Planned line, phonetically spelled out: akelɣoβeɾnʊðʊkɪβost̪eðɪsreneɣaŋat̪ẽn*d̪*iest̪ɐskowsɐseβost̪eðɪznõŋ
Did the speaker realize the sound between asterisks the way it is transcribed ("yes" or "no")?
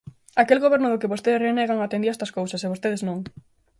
yes